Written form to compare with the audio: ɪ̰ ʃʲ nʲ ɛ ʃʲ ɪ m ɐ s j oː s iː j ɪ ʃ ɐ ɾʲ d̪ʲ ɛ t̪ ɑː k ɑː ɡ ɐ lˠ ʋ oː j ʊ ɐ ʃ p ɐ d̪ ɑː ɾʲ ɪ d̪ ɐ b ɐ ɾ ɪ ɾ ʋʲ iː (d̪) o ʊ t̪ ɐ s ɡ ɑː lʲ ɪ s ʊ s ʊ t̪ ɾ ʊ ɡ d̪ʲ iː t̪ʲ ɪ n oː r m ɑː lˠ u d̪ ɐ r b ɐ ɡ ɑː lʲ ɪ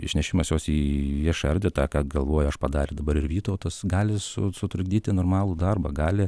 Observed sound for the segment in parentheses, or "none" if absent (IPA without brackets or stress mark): t̪